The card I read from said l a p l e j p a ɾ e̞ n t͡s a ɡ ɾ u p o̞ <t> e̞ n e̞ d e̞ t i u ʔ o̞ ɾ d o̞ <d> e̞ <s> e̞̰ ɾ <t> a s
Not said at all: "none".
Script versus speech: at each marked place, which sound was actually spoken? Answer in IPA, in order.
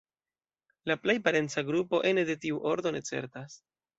ʔ, n, t͡s, t

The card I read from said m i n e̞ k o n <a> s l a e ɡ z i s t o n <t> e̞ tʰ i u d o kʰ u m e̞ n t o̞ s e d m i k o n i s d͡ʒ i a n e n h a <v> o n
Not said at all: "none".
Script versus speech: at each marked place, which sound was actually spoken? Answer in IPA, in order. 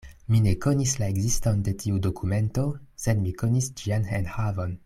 i, d, v

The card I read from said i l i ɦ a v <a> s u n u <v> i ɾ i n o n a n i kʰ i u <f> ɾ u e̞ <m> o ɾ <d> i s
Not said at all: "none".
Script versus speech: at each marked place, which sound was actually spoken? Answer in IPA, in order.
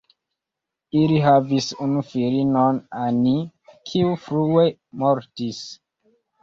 i, f, f, m, t

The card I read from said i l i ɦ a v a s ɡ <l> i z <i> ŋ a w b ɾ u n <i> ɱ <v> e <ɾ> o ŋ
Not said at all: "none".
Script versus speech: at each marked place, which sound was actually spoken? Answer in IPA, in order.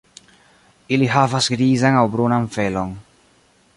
ɾ, a, a, f, l

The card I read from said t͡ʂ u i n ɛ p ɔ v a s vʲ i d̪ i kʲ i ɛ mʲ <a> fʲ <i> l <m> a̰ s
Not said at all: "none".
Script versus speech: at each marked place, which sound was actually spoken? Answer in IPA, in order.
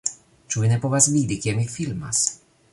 i, i, m

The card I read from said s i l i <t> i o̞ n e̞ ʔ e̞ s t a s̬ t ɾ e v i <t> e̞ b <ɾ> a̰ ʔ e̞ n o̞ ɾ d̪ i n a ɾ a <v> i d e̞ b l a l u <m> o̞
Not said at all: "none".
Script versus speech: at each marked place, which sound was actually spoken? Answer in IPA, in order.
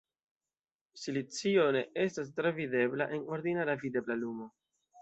t͡s, d, l, v, m

